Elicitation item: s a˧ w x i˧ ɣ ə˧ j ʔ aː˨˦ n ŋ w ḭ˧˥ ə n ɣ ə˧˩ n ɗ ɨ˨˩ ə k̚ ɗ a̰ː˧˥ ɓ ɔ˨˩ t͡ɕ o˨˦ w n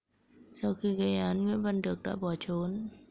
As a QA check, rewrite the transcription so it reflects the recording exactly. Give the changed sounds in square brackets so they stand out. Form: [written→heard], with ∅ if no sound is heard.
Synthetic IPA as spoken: s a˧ w x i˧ ɣ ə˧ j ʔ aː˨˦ n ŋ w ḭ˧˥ ə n [ɣ→v] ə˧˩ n ɗ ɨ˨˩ ə k̚ ɗ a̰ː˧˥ ɓ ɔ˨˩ t͡ɕ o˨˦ [w→∅] n